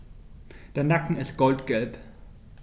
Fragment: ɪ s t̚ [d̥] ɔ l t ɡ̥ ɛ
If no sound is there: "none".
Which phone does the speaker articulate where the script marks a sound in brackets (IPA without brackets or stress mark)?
ɡ̥